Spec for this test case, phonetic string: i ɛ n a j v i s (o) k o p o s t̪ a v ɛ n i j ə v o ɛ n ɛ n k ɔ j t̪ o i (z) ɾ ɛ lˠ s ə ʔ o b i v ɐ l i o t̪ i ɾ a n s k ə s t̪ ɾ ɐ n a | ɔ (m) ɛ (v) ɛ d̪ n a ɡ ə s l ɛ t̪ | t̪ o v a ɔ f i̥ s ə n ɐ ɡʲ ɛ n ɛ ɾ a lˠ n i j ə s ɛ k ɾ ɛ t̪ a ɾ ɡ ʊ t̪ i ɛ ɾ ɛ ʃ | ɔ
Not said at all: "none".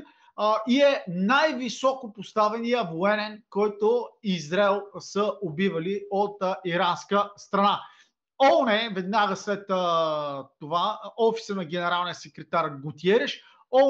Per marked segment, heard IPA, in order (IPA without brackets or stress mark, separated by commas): ɔ, z, n, v